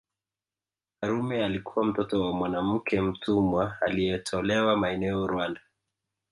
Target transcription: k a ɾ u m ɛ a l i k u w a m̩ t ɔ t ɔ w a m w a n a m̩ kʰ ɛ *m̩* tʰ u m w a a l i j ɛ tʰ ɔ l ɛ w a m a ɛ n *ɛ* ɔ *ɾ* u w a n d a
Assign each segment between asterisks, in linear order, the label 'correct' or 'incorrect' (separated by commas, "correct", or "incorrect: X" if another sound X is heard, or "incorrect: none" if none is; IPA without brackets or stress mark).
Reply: correct, correct, correct